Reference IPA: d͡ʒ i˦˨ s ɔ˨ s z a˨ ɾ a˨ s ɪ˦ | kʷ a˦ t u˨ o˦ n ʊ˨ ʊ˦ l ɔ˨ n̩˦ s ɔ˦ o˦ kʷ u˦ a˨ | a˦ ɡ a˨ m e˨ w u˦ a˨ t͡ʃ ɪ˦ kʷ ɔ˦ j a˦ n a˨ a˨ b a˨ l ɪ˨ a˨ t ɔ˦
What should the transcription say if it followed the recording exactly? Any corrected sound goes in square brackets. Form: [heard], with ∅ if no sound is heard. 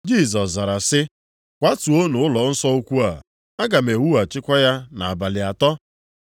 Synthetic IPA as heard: d͡ʒ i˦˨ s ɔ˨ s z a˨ ɾ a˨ s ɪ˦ | kʷ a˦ t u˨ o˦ n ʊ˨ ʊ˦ l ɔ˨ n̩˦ s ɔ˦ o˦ kʷ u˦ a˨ | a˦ ɡ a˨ m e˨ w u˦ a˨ t͡ʃ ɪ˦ kʷ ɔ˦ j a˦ n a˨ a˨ b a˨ l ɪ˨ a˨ t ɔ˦